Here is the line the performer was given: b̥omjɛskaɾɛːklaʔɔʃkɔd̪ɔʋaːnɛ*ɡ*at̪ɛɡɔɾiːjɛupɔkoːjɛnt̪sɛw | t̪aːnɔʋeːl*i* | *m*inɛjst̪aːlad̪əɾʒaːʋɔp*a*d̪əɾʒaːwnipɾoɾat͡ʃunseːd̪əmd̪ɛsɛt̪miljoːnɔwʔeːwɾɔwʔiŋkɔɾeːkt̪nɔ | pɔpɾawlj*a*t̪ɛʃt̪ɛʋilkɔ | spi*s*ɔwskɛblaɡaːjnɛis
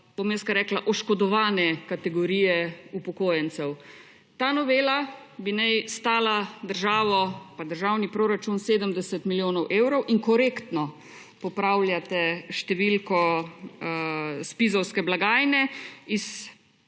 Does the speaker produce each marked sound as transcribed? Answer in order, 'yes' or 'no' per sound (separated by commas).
no, no, no, yes, yes, no